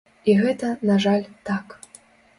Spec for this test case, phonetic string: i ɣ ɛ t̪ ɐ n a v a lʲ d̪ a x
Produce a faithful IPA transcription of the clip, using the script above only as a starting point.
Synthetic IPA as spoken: i ɣ ɛ t̪ ɐ n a ʐ a lʲ t̪ a k